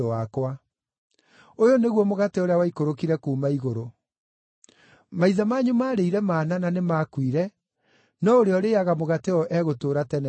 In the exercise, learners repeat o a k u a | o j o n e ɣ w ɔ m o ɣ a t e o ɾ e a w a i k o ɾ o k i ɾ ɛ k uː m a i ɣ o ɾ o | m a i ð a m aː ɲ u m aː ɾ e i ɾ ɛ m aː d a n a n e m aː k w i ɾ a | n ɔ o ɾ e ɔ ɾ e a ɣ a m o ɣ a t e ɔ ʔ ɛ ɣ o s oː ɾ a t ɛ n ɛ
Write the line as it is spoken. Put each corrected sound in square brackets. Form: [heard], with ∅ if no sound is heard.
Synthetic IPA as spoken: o a k [w] a | o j o n e ɣ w ɔ m o ɣ a t e o ɾ e a w a i k o ɾ o k i ɾ ɛ k uː m a i ɣ o ɾ o | m a i ð a m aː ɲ u m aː ɾ e i ɾ ɛ m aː [n] a n a n e m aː k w i ɾ [ɛ] | n ɔ o ɾ e ɔ ɾ e a ɣ a m o ɣ a t e ɔ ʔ ɛ ɣ o [t] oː ɾ a t ɛ n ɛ